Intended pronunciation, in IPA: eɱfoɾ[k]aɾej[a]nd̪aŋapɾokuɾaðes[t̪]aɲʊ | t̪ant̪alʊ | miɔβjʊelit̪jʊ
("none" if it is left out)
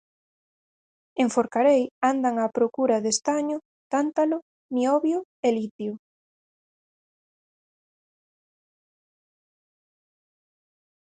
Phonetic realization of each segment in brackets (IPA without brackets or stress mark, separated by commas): k, a, t̪